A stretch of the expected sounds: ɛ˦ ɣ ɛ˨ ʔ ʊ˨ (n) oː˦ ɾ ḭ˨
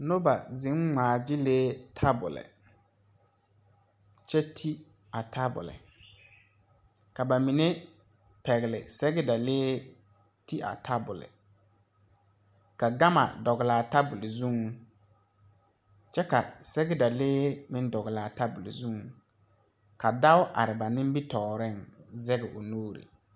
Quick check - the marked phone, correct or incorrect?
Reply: correct